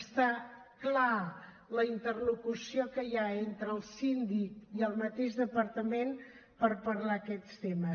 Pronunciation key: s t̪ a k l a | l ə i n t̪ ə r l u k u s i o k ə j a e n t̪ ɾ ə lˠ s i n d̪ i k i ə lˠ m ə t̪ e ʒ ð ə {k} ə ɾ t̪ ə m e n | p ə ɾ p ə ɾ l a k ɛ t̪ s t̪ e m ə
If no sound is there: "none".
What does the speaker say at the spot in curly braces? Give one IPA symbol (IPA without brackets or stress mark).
p